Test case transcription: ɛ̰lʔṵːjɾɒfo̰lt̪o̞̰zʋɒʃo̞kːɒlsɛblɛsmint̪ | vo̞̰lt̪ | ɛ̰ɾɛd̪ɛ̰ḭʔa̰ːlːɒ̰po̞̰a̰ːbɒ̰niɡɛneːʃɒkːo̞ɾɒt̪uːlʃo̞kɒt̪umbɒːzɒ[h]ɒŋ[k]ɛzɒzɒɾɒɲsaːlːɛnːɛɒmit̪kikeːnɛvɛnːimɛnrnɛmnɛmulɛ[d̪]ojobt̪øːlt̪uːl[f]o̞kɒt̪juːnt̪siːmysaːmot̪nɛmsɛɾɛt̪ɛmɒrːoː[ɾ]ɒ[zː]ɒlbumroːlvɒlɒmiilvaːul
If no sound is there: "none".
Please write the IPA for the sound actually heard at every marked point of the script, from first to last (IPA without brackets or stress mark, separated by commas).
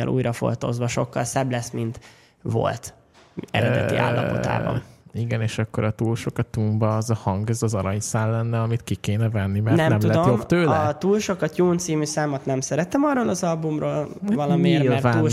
h, ɡ, d̪, ʃ, l, z